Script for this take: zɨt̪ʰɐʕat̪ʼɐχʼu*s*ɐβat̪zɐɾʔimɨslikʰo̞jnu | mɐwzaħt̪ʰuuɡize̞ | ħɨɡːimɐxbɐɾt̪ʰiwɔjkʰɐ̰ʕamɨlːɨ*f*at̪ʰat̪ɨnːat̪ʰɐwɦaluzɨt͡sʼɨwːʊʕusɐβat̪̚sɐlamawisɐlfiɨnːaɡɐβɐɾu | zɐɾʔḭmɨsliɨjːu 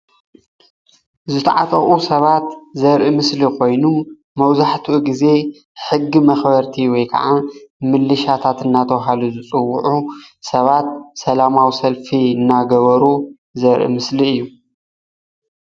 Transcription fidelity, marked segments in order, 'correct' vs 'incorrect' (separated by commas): correct, incorrect